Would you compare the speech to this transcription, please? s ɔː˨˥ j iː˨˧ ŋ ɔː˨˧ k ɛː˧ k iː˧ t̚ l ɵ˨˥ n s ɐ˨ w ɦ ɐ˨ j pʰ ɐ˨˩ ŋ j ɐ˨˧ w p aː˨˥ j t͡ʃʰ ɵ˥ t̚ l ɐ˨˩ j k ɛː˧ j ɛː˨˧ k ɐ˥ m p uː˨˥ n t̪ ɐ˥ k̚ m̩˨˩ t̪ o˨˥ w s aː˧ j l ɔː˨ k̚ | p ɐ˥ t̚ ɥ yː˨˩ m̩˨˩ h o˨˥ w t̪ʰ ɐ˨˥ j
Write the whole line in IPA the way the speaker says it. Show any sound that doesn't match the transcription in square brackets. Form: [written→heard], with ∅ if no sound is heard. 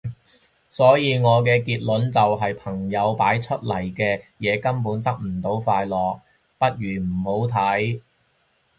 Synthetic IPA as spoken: s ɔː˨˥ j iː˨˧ ŋ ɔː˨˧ k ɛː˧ k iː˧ t̚ l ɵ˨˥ n [s→t͡s] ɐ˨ w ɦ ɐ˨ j pʰ ɐ˨˩ ŋ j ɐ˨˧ w p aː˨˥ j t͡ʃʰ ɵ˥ t̚ l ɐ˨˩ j k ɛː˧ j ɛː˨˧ k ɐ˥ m p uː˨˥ n t̪ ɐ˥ k̚ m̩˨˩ t̪ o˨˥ w [s→f] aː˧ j l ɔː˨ k̚ | p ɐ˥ t̚ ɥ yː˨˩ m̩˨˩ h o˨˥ w t̪ʰ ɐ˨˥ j